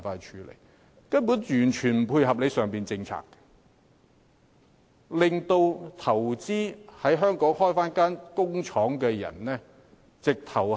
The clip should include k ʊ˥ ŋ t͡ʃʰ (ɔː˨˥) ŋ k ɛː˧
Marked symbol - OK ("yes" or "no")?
yes